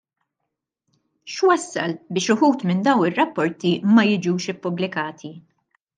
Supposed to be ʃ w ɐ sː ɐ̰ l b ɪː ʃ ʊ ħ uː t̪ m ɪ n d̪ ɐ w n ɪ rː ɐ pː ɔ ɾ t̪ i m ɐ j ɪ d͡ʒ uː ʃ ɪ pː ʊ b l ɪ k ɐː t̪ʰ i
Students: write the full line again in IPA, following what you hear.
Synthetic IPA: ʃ w ɐ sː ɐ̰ l b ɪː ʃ ʊ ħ uː t̪ m ɪ n d̪ ɐ w n ɪ rː ɐ pː ɔ ɾ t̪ i m ɐ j ɪ d͡ʒ uː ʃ ɪ pː ʊ b l ɪ k ɐː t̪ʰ i